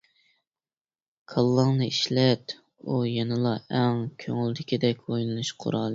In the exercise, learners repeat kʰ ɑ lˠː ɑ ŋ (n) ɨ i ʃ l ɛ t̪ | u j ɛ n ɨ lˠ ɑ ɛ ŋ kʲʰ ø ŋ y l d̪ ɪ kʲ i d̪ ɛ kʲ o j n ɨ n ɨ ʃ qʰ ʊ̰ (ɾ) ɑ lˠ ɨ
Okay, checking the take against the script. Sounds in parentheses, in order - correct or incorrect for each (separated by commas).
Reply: correct, correct